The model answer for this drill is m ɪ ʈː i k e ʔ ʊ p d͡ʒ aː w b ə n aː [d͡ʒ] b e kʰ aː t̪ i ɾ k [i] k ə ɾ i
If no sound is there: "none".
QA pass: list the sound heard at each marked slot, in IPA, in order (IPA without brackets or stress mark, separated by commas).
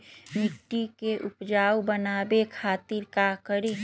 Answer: none, a